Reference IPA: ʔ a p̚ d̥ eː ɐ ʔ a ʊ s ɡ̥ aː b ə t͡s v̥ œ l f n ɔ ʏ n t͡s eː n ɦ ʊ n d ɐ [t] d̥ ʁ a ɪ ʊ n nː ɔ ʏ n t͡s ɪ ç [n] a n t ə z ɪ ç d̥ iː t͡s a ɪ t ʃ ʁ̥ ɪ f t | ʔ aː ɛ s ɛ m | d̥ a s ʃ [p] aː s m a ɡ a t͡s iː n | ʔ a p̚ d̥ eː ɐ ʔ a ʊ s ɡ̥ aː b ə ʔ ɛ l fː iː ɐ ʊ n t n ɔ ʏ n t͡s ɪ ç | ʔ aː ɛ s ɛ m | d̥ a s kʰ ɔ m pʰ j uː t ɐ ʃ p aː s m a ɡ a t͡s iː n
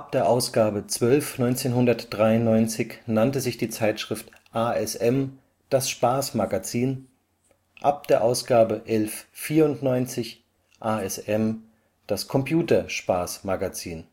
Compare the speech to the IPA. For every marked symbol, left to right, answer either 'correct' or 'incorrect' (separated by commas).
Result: correct, correct, correct